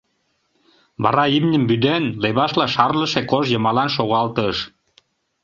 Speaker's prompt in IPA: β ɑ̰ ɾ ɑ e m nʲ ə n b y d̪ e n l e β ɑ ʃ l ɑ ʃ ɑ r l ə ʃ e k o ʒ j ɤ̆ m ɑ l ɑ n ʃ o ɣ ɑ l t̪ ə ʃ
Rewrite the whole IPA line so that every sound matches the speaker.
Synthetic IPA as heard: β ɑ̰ ɾ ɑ i m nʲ ə m b y d̪ e n l e β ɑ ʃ l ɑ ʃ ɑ r l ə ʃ e k o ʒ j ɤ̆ m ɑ l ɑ n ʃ o ɣ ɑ l t̪ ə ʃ